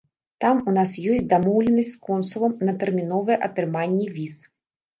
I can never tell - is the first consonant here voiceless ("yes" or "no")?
yes